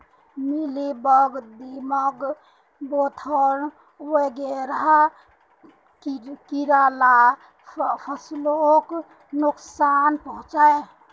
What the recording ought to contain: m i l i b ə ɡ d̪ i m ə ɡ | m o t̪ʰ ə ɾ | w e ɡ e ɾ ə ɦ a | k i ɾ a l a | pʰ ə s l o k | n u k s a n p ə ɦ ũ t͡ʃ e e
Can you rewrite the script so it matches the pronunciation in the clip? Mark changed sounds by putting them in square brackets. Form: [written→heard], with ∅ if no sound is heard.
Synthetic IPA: m i l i b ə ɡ d̪ i m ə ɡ | [m→b] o t̪ʰ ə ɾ | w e ɡ e ɾ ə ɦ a | k i ɾ a l a | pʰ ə s l o k | n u k s a n p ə ɦ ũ t͡ʃ [e→a] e